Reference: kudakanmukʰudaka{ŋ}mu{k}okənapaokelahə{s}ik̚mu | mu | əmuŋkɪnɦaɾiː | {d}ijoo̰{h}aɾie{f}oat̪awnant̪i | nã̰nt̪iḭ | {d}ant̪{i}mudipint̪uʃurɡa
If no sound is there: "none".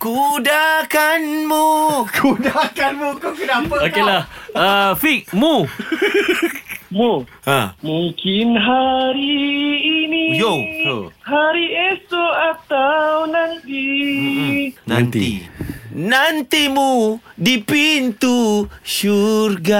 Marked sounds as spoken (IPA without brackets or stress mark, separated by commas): n, k, f, n, h, s, n, i